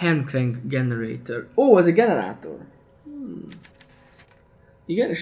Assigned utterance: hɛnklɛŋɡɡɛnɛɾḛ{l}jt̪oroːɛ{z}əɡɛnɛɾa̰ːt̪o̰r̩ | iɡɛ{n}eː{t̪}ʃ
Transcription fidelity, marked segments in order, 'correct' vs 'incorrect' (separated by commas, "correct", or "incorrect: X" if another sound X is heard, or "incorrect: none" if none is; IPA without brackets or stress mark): incorrect: none, correct, correct, incorrect: none